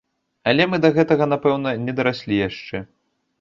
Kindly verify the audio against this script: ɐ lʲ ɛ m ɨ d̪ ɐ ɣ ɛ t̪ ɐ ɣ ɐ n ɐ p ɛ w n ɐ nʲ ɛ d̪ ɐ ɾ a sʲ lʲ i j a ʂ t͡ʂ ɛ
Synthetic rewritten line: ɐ lʲ ɛ m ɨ d̪ ɐ ɣ ɛ t̪ ɐ ɣ ɐ n a p ɛ w n ɐ nʲ ɛ d̪ ɐ ɾ a sʲ lʲ i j a ʂ t͡ʂ ɛ